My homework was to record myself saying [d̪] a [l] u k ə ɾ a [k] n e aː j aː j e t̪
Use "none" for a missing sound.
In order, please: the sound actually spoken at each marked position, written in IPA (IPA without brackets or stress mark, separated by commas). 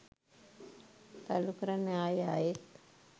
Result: t̪, l, none